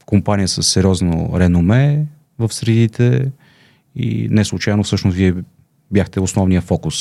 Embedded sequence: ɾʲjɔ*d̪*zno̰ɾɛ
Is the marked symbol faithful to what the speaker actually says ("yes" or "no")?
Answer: no